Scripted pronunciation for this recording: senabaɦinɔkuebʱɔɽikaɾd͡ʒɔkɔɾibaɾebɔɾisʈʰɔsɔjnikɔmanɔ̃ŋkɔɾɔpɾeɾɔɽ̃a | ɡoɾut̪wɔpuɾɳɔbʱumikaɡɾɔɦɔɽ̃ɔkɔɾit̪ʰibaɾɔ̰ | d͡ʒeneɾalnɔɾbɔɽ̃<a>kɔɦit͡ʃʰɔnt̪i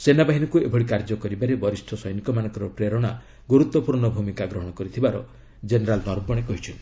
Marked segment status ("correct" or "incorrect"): incorrect